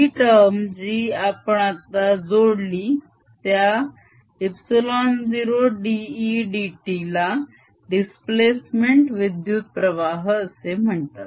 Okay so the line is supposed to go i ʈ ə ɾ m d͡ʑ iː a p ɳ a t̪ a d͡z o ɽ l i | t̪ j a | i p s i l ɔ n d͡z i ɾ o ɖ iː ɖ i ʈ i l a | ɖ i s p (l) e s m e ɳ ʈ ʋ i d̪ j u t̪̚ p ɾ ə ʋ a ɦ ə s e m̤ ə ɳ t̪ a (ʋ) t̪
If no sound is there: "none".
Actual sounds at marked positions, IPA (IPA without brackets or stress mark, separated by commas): l, none